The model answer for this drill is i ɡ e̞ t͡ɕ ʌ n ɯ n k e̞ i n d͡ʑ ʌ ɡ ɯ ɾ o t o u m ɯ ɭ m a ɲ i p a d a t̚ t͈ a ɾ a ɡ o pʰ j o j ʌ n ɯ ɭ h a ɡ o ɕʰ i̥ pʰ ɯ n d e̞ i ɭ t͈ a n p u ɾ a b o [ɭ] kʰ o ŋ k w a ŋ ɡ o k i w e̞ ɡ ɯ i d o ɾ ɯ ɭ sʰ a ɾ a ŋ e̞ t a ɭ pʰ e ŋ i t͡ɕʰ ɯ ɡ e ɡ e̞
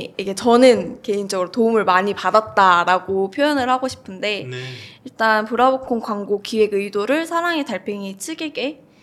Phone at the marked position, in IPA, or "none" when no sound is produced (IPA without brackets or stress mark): none